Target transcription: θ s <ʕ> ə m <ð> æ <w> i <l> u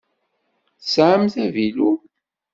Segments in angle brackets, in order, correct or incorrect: correct, incorrect, incorrect, correct

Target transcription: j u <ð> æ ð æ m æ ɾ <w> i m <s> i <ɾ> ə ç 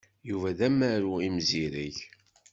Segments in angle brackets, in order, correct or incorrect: incorrect, incorrect, incorrect, correct

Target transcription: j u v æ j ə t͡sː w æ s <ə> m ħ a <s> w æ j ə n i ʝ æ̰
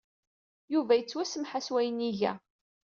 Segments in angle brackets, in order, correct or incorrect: correct, correct

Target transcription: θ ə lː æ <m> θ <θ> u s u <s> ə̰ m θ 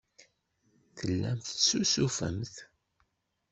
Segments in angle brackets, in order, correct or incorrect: correct, incorrect, incorrect

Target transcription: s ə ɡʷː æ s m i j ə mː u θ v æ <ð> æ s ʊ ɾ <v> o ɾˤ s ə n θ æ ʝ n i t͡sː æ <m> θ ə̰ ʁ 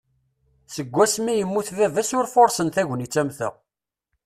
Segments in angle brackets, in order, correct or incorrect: incorrect, incorrect, correct

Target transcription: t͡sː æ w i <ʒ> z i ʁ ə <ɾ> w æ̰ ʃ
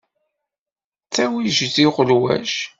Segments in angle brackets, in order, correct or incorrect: correct, incorrect

